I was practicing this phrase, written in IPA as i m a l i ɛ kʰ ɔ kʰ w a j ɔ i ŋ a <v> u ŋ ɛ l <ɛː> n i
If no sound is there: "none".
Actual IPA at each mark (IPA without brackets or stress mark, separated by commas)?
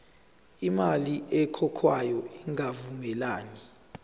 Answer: v, aː